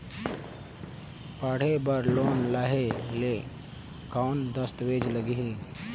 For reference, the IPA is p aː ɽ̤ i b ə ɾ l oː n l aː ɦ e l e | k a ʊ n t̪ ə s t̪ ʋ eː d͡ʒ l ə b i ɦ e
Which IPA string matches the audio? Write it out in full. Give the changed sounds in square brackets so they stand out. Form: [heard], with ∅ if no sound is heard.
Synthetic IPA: p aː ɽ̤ [e] b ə ɾ l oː n l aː ɦ e l e | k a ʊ n [d̪] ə s t̪ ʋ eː d͡ʒ l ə [ɡ] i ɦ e

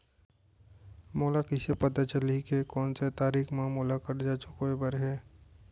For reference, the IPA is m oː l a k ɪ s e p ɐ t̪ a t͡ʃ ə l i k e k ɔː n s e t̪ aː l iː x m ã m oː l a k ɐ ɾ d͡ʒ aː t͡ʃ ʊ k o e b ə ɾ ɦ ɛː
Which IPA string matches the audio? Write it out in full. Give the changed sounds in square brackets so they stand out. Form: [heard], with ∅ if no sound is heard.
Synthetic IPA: m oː l a k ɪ s e p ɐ t̪ a t͡ʃ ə l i k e k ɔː n s e t̪ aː [ɾ] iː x m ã m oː l a k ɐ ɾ d͡ʒ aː t͡ʃ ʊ k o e b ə ɾ ɦ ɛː

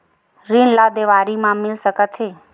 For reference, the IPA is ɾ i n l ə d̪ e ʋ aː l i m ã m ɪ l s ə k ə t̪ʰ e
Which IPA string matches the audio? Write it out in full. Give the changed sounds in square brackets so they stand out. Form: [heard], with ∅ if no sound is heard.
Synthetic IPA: ɾ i n l [a] d̪ e ʋ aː [ɾ] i m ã m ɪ l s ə k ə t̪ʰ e

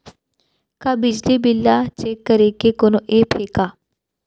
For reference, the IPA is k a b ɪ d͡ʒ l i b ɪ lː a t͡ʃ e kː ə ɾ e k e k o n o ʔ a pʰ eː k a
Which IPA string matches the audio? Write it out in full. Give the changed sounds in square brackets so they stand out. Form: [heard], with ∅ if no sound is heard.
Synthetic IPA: k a b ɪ d͡ʒ l i b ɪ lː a t͡ʃ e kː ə ɾ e k e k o n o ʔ [e] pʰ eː k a

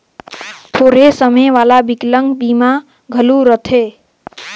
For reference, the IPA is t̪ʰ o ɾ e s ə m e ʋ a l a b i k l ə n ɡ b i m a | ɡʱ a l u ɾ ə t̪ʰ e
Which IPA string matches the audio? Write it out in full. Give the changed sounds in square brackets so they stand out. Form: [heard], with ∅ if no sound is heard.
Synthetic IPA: t̪ʰ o ɾ e s ə m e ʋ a l a b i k l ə [ŋ] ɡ b i m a | ɡʱ [ə] l u ɾ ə t̪ʰ e

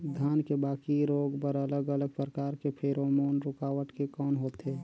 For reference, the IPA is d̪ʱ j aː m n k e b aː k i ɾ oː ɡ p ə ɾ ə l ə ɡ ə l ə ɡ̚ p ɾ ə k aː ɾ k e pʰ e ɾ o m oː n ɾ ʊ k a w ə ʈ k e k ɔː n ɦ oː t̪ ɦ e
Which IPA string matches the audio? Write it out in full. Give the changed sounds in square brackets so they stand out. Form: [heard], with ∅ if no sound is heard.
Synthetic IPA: d̪ʱ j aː [∅] n k e b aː k i ɾ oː ɡ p ə ɾ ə l ə ɡ ə l ə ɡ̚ p ɾ ə k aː ɾ k e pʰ e ɾ o m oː n ɾ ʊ k a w ə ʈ k e k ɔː n ɦ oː t̪ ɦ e

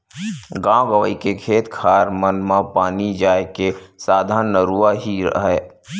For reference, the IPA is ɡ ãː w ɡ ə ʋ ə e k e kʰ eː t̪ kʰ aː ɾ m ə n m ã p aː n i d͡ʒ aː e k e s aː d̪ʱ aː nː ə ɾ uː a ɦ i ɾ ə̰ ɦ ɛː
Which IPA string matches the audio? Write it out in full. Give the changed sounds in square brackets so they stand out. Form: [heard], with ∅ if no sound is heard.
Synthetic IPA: ɡ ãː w ɡ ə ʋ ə [i] k e kʰ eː t̪ kʰ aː ɾ m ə n m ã p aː n i d͡ʒ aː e k e s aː d̪ʱ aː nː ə ɾ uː a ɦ i ɾ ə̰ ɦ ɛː

